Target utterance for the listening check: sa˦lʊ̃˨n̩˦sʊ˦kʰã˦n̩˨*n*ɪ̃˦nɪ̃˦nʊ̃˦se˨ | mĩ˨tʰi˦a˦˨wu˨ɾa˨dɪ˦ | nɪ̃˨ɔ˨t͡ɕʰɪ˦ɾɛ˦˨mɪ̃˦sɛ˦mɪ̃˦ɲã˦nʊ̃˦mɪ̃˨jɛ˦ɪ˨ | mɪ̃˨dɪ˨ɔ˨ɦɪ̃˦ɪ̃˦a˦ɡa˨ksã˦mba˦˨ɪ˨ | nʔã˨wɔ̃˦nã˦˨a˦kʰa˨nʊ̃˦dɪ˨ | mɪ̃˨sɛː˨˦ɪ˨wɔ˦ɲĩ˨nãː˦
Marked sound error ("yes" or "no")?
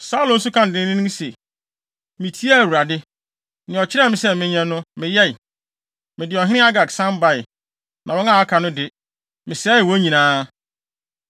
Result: yes